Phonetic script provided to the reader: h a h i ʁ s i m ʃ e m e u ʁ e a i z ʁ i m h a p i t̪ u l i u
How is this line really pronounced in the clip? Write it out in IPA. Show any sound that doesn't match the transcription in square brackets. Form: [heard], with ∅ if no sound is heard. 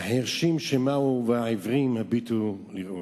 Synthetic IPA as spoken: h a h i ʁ [ʃ] i m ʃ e m [a] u [v] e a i [v] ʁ i m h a [b] i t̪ u l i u